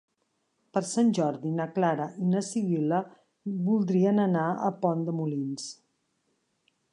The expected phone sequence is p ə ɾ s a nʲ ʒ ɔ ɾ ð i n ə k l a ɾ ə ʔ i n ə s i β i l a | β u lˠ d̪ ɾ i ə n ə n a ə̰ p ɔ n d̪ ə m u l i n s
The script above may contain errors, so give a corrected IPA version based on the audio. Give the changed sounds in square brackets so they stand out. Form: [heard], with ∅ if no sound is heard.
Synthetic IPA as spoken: p ə ɾ s a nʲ ʒ ɔ ɾ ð i n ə k l a ɾ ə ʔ i n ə s i β i l [ə] | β u lˠ d̪ ɾ i ə n ə n a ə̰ p ɔ n d̪ ə m u l i n s